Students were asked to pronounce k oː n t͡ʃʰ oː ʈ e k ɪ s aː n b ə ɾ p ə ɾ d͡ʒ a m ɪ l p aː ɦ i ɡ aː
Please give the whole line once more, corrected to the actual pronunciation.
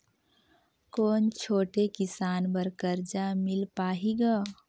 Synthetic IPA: k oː n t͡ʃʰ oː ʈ e k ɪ s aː n b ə ɾ k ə ɾ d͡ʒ a m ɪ l p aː ɦ i ɡ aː